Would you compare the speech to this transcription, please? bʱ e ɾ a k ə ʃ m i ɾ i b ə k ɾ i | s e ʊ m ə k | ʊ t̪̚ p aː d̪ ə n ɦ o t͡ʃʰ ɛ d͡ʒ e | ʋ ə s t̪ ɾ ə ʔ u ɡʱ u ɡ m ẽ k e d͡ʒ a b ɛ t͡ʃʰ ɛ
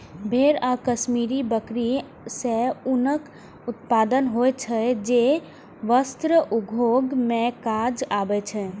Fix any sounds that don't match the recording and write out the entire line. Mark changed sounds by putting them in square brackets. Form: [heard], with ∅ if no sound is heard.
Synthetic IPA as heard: bʱ e ɾ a k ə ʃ m i ɾ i b ə k ɾ i | s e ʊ [n] ə k | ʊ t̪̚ p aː d̪ ə n ɦ o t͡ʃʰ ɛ d͡ʒ e | ʋ ə s t̪ ɾ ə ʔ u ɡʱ [o] ɡ m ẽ k [a] d͡ʒ a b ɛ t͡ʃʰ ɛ